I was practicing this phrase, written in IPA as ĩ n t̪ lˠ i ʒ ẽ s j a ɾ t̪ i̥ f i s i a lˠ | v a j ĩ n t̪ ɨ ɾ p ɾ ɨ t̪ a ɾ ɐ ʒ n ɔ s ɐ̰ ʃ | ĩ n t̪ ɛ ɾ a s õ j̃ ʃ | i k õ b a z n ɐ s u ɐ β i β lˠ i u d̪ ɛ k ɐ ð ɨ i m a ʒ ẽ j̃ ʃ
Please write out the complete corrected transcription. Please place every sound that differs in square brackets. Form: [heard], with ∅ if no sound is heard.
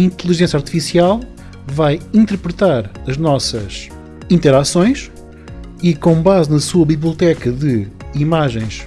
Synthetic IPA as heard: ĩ n t̪ lˠ i ʒ ẽ s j a ɾ t̪ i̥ f i s i a lˠ | v a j ĩ n t̪ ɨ ɾ p ɾ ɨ t̪ a ɾ ɐ ʒ n ɔ s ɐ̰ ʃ | ĩ n t̪ ɛ ɾ a s õ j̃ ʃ | i k õ b a z n ɐ s u ɐ β i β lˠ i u [t̪] ɛ k ɐ ð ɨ i m a ʒ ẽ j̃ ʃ